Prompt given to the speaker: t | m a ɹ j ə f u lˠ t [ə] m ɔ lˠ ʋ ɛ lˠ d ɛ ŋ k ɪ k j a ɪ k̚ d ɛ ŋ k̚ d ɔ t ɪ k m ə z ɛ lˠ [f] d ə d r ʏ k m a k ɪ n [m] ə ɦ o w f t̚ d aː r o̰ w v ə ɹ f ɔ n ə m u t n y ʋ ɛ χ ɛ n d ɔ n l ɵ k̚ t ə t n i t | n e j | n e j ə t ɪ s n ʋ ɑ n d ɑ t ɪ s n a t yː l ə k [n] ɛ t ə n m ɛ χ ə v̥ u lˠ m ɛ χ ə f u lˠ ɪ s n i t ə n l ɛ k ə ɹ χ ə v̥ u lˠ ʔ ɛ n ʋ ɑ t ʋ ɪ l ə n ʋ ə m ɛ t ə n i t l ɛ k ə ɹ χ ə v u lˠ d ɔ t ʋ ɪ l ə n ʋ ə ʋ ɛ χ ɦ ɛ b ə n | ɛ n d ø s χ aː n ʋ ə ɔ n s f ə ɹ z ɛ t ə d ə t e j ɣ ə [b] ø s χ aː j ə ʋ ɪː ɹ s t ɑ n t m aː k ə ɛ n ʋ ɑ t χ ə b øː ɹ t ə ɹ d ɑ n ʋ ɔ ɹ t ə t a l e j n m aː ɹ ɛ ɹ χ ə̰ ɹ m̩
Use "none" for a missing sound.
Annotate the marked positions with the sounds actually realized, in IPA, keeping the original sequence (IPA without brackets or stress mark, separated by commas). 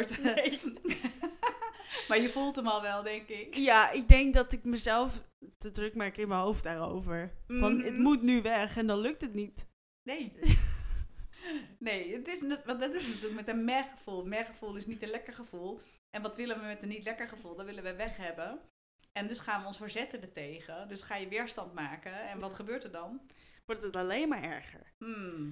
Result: ə, f, m, m, d